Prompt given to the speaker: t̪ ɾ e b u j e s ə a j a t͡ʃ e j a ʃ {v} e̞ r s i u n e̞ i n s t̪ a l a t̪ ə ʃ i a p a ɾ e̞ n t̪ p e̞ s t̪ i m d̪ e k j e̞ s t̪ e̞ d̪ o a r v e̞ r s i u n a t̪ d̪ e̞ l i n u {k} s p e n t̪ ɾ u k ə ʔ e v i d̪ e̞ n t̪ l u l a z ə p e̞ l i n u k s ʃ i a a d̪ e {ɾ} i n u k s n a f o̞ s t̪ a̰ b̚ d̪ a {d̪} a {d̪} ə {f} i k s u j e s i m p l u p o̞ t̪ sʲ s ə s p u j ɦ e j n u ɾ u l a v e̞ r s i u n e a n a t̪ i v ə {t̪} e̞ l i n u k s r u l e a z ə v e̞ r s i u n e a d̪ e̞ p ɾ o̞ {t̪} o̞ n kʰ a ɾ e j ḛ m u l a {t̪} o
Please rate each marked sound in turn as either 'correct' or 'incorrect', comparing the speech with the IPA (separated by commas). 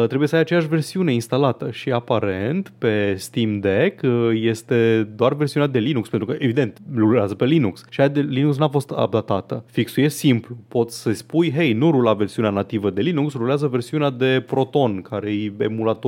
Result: correct, correct, incorrect, incorrect, incorrect, correct, incorrect, correct, correct